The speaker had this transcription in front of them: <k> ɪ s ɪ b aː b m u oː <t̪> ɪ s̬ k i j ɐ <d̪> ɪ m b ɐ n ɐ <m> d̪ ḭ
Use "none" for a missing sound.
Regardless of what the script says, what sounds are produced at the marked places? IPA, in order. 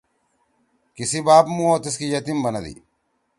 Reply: k, t̪, t̪, none

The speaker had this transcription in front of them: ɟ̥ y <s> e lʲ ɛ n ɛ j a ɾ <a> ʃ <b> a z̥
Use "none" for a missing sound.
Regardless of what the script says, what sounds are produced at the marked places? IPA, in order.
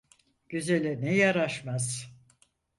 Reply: z, a, m

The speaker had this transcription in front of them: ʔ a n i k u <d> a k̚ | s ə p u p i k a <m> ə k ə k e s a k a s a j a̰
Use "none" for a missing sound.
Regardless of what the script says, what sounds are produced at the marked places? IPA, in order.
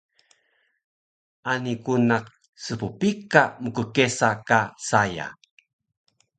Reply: n, m

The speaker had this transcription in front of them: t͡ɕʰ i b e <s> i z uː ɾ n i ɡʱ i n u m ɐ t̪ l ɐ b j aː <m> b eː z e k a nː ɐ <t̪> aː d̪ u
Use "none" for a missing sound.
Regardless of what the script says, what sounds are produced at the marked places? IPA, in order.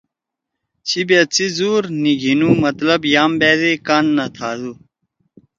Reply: t͡s, m, t̪ʰ

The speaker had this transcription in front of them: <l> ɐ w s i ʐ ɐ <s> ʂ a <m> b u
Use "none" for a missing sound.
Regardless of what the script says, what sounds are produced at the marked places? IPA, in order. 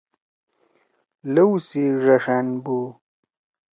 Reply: l, none, n

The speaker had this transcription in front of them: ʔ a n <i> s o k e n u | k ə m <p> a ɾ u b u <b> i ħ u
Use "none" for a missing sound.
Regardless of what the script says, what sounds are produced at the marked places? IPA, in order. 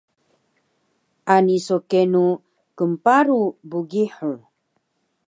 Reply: i, p, ɡ

